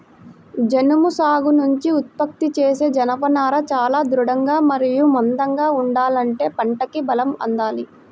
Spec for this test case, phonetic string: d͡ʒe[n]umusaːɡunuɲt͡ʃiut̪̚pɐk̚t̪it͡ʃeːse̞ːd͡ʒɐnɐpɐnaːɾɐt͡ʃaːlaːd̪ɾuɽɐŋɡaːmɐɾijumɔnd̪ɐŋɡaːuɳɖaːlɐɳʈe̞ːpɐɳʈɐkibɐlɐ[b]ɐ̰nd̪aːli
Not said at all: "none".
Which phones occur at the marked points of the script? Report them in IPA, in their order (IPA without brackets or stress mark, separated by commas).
n, m